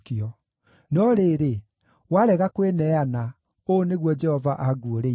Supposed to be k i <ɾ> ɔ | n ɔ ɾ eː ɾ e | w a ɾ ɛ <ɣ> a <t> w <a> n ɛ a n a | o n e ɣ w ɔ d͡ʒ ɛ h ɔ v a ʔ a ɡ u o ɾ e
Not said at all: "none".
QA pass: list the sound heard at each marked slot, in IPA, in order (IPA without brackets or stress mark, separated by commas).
none, ɣ, k, e